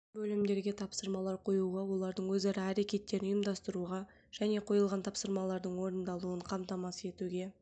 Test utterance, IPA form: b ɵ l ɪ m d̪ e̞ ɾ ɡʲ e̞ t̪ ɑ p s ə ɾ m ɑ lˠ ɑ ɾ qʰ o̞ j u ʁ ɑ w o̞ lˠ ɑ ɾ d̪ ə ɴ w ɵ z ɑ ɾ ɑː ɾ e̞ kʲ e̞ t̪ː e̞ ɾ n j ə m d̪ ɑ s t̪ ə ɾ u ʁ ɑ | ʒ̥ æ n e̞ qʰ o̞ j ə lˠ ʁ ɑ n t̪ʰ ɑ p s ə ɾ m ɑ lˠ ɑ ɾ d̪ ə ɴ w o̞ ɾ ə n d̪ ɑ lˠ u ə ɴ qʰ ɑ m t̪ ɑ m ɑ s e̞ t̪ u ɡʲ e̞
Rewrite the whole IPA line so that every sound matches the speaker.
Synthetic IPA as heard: b ɵ l ɪ m d̪ e̞ ɾ ɡʲ e̞ t̪ʰ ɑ p s ə ɾ m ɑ lˠ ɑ ɾ qʰ o̞ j u ʁ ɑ w o̞ lˠ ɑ ɾ d̪ ə ɴ w ɵ z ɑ ɾ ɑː ɾ e̞ kʲ e̞ t̪ː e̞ ɾ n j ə m d̪ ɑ s t̪ ə ɾ u ʁ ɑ | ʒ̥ æ n e̞ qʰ o̞ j ə lˠ ʁ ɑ n t̪ʰ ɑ p s ə ɾ m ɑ lˠ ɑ ɾ d̪ ə ɴ w o̞ ɾ ə n d̪ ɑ lˠ u ə ɴ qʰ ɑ m t̪ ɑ m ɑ s e̞ t̪ u ɡʲ e̞